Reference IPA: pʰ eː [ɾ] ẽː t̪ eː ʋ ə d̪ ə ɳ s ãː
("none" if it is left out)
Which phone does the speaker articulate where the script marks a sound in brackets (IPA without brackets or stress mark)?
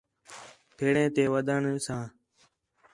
ɽ